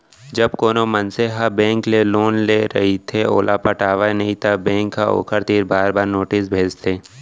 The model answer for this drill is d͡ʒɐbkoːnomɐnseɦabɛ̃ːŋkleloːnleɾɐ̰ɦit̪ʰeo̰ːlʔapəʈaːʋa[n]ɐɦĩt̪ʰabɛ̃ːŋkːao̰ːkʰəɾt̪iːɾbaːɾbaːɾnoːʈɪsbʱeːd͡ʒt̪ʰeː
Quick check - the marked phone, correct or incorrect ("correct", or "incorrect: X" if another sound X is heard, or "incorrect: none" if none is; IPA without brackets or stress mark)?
correct